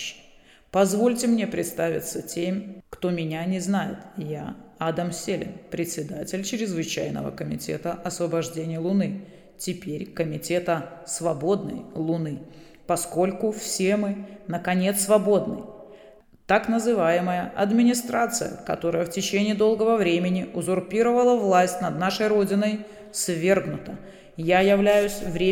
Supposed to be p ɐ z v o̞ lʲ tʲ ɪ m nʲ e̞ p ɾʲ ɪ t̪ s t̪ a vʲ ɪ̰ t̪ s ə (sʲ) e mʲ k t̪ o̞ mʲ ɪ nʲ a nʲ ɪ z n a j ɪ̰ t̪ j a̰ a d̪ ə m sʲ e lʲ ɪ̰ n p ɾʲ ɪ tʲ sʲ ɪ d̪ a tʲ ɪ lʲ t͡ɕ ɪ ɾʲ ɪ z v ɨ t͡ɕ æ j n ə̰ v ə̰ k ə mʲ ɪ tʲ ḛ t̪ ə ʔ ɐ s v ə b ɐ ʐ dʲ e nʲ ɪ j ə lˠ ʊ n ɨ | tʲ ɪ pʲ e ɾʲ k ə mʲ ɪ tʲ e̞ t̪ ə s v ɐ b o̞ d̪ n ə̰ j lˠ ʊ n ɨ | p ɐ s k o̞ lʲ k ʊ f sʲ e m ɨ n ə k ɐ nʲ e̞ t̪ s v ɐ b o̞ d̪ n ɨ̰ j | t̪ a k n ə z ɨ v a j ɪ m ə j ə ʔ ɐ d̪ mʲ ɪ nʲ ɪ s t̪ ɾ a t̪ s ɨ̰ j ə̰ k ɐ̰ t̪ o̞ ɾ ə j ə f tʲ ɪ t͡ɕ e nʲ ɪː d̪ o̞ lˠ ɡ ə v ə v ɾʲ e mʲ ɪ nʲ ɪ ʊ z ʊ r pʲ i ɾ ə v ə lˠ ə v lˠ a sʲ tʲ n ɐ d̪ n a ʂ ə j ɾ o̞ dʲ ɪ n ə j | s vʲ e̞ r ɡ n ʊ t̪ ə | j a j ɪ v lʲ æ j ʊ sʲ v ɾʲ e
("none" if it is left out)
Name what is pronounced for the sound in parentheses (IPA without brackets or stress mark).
tʲ